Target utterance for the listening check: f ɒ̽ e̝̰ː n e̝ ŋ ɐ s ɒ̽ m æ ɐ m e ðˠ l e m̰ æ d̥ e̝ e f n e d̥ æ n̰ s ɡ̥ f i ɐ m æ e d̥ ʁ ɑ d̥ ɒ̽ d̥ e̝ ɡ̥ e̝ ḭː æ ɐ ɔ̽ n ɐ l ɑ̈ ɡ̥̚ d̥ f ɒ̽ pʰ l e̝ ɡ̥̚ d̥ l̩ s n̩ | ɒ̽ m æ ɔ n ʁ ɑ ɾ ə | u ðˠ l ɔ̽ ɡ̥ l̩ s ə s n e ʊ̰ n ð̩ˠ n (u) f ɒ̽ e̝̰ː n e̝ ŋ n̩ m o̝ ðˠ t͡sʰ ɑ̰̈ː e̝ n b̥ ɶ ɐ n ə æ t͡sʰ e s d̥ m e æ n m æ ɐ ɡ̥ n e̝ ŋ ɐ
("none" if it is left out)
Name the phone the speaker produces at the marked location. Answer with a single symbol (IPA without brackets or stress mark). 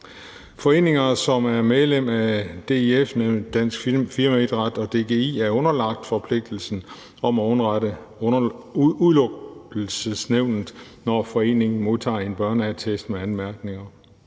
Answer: ɒ